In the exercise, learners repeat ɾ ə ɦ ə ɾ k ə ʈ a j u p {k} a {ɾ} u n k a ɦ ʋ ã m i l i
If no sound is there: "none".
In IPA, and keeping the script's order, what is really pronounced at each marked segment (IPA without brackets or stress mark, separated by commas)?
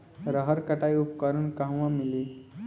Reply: k, ɾ